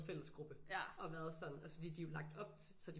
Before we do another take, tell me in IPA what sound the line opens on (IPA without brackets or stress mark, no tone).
f